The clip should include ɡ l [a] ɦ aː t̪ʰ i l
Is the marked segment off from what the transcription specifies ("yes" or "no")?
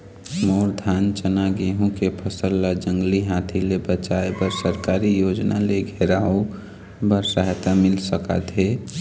yes